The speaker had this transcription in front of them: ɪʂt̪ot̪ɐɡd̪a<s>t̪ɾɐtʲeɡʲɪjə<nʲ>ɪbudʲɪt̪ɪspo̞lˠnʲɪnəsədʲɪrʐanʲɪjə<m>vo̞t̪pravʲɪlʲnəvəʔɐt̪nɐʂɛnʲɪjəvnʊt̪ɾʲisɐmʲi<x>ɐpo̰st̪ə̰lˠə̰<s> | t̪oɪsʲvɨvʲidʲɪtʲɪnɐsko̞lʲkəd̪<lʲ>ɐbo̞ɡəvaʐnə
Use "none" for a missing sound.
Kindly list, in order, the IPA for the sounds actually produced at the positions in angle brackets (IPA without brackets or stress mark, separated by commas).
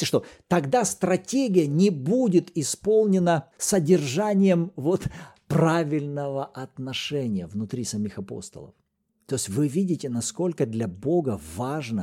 s, nʲ, m, x, f, lʲ